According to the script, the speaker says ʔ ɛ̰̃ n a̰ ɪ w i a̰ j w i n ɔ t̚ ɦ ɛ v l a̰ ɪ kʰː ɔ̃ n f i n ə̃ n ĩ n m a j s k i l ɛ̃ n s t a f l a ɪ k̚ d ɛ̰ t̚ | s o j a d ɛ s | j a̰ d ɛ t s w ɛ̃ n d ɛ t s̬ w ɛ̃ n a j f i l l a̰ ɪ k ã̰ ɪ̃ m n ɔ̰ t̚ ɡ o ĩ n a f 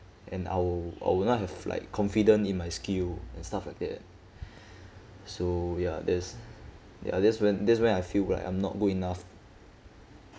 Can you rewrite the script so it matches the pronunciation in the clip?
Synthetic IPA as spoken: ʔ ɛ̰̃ n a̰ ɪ w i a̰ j w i n ɔ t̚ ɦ ɛ v l a̰ ɪ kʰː ɔ̃ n f i d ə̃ n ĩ n m a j s k i l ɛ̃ n s t a f l a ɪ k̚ d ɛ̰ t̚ | s o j a d ɛ s | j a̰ d ɛ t s w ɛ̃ n d ɛ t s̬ w ɛ̃ n a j f i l l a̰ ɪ k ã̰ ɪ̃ m n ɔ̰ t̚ ɡ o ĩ n a f